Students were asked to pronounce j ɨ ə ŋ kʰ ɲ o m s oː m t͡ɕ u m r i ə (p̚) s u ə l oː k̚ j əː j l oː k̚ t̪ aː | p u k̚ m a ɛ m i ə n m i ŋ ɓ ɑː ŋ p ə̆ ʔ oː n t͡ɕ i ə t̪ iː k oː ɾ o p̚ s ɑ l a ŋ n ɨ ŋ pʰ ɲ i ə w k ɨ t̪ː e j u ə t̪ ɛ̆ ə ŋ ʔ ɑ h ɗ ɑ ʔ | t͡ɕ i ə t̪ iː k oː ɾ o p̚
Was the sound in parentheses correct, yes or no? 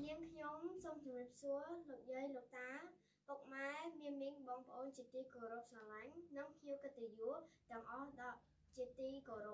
yes